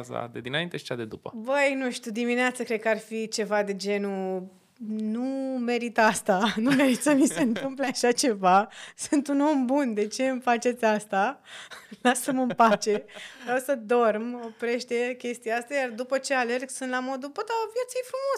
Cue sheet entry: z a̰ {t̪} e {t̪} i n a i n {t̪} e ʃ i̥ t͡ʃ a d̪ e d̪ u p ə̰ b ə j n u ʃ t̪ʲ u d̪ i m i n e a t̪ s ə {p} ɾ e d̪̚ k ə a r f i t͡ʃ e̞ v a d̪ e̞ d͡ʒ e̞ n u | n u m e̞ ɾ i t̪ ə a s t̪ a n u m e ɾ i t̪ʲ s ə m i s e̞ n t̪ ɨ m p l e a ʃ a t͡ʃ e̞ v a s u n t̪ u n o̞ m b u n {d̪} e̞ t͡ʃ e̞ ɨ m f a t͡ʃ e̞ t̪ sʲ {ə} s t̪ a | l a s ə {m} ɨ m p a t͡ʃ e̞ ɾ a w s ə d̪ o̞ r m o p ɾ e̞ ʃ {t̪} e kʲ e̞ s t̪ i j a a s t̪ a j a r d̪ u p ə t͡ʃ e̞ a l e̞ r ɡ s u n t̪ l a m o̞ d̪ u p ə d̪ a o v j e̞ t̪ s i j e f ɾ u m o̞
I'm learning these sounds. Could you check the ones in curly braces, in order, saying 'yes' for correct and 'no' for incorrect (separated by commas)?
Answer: no, no, yes, no, yes, no, yes, yes